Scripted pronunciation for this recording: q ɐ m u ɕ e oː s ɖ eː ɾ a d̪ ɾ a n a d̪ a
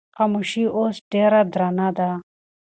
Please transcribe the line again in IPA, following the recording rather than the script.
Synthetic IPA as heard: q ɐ m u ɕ i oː s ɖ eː ɾ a d̪ ɾ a n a d̪ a